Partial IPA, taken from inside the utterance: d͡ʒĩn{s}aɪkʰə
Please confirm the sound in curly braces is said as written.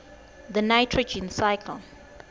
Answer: yes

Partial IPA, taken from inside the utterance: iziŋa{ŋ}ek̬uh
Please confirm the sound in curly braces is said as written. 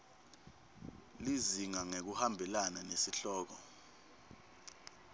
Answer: yes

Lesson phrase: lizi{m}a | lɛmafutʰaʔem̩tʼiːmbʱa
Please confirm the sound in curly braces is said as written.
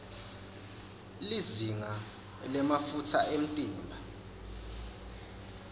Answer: no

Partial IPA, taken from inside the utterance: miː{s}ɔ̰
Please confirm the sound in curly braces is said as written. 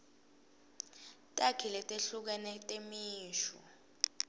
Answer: no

